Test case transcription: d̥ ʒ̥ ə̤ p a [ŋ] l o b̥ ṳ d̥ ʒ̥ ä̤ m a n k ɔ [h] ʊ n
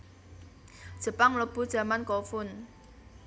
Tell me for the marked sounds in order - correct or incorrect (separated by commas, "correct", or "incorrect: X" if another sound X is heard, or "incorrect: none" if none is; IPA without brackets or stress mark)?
correct, incorrect: f